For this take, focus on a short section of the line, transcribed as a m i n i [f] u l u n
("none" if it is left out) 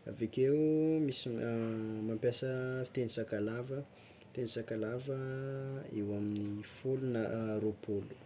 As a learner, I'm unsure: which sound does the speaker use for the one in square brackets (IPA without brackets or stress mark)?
f